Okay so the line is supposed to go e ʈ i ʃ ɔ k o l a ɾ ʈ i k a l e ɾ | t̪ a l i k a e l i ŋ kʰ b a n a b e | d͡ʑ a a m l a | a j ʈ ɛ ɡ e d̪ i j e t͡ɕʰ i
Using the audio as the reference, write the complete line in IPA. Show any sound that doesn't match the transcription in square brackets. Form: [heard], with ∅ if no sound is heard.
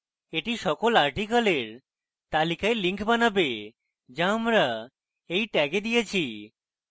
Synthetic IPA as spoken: e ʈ i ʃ ɔ k o l a ɾ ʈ i k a l e ɾ | t̪ a l i k a e l i ŋ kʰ b a n a b e | d͡ʑ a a m [ɾ] a | [e] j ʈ ɛ ɡ e d̪ i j e t͡ɕʰ i